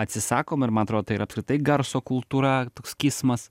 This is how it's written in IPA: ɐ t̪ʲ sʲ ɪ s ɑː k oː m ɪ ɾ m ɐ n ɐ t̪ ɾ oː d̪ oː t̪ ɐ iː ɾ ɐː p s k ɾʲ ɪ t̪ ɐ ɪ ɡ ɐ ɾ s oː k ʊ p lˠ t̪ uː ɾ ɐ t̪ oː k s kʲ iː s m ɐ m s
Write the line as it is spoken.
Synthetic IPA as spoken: ɐ t̪ʲ sʲ ɪ s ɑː k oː m ɪ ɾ m ɐ n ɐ t̪ ɾ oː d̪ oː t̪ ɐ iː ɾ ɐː p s k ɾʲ ɪ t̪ ɐ ɪ ɡ ɐ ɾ s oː k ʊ lˠ t̪ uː ɾ ɐ t̪ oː k s kʲ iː s m ɐ s

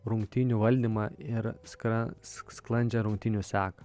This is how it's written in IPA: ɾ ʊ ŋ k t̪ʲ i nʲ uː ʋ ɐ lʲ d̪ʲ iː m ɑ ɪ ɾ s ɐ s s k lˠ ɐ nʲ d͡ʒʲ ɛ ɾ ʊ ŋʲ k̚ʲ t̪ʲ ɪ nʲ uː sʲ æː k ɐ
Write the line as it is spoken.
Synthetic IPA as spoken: ɾ ʊ ŋ k t̪ʲ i nʲ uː ʋ ɐ lʲ d̪ʲ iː m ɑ ɪ ɾ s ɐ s s k lˠ ɐ nʲ d͡ʒʲ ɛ ɾ ʊ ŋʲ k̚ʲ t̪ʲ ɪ nʲ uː sʲ æː k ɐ

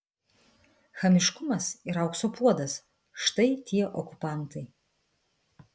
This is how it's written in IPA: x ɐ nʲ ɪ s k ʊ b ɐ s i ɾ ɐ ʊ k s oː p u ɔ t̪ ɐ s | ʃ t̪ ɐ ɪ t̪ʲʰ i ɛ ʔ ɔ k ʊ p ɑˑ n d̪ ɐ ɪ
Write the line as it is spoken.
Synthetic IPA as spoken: x ɐ mʲ ɪ ʃ k ʊ m ɐ s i ɾ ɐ ʊ k s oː p u ɔ d̪ ɐ s | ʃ t̪ ɐ ɪ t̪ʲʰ i ɛ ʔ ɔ k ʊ p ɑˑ n t̪ ɐ ɪ

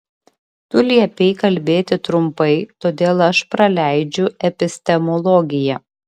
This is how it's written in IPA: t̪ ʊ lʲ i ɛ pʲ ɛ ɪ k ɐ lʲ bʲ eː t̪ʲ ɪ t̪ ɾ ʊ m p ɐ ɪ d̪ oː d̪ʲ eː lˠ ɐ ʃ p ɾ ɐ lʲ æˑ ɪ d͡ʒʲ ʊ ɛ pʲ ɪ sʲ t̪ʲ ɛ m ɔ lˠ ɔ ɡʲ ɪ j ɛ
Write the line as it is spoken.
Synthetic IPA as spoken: t̪ ʊ lʲ i ɛ pʲ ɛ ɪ k ɐ lʲ bʲ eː t̪ʲ ɪ t̪ ɾ ʊ m p ɐ ɪ t̪ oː d̪ʲ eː lˠ ɐ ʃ p ɾ ɐ lʲ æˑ ɪ d͡ʒʲ ʊ ɛ pʲ ɪ sʲ t̪ʲ ɛ m ɔ lˠ ɔ ɡʲ ɪ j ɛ

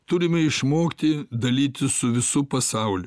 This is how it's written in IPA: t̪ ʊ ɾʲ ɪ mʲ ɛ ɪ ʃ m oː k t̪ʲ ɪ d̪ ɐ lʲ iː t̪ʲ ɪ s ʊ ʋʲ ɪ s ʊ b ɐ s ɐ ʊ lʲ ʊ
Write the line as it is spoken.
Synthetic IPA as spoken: t̪ ʊ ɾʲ ɪ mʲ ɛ ɪ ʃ m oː k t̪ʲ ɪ d̪ ɐ lʲ iː t̪ʲ ɪ s ʊ ʋʲ ɪ s ʊ p ɐ s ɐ ʊ lʲ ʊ

